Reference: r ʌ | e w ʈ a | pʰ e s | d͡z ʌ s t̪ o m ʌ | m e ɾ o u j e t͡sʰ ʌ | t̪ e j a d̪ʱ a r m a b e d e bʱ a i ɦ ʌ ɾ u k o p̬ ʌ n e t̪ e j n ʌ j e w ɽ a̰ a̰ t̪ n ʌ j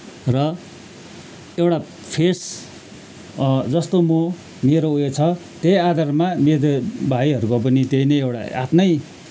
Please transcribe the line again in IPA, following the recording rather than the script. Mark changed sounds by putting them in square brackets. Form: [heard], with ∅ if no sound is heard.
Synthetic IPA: r ʌ | e w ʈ a | pʰ e s | d͡z ʌ s t̪ o m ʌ | m e ɾ o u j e t͡sʰ ʌ | t̪ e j a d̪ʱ a r m a [m] e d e bʱ a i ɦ ʌ ɾ u k o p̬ ʌ n [i] t̪ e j n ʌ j e w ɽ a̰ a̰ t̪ n ʌ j